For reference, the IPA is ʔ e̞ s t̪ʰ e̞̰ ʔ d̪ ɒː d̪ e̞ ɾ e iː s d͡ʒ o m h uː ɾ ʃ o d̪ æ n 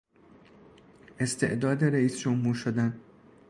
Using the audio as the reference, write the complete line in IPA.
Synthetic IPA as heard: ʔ e̞ s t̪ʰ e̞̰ ʔ d̪ ɒː d̪ e̞ ɾ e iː s d͡ʒ o m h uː ɾ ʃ o d̪ æ n